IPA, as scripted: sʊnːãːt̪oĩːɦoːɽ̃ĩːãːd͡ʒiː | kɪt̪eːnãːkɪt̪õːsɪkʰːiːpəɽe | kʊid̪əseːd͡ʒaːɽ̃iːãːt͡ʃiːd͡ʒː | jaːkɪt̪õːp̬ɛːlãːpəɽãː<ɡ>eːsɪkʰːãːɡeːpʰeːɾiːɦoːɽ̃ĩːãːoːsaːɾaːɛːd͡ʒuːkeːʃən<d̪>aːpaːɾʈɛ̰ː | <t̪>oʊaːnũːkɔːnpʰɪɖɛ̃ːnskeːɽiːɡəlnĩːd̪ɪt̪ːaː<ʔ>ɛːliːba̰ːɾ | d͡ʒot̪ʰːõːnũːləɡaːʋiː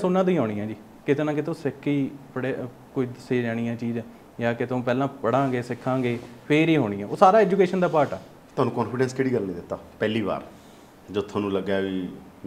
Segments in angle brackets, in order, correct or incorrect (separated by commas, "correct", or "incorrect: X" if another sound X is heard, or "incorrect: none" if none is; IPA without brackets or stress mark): correct, correct, correct, incorrect: p